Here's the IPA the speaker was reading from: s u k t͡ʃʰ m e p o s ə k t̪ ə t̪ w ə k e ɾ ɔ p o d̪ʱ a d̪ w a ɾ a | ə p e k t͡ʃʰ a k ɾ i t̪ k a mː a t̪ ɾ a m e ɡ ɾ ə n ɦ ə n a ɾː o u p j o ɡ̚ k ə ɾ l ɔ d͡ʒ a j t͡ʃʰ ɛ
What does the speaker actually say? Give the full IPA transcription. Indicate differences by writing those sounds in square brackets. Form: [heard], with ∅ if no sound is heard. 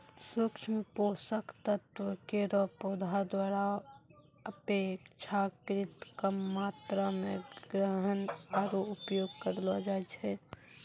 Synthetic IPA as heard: s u k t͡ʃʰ m e p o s ə k t̪ ə t̪ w ə k e ɾ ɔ p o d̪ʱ a d̪ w a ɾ a | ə p e k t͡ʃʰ a k ɾ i t̪ k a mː a t̪ ɾ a m e ɡ ɾ ə [∅] ɦ ə n a [ɾ] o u p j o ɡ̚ k ə ɾ l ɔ d͡ʒ a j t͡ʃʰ ɛ